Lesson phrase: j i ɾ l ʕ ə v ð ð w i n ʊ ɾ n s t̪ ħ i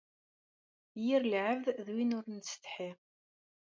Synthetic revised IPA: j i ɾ l ʕ ə v ð ð w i n ʊ ɾ n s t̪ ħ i